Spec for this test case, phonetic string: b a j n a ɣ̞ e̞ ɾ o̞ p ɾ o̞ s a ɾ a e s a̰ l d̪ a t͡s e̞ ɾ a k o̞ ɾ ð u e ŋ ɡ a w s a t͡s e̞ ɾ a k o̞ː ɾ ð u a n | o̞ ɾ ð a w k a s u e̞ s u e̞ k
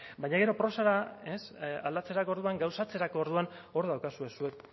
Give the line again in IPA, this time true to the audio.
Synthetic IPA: b a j ɲ a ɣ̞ e̞ ɾ o̞ p ɾ o̞ s a ɾ a e s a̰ l d̪ a t͡s e̞ ɾ a k o̞ ɾ ð u a ŋ ɡ a w s a t͡s e̞ ɾ a k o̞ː ɾ ð u a n | o̞ ɾ ð a w k a s u e̞ s u e̞ k